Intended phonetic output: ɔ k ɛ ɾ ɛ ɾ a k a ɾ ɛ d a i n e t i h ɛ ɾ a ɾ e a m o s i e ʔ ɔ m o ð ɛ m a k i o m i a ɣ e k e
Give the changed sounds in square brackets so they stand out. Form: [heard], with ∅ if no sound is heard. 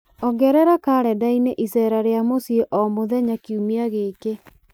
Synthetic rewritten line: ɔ [ɡ] ɛ ɾ ɛ ɾ a k a ɾ ɛ d a i n e [ʔ] i [s] ɛ ɾ a ɾ e a m o s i e ʔ ɔ m o ð ɛ [ɲ] a k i [u] m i a ɣ e k e